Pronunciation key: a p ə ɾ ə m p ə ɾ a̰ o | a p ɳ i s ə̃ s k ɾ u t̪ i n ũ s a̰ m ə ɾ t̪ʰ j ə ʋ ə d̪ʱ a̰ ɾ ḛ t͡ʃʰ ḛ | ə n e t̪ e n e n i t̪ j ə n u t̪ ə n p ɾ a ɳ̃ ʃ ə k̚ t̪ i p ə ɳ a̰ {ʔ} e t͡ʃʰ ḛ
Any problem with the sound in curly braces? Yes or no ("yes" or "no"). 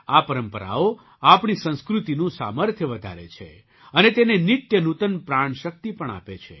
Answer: yes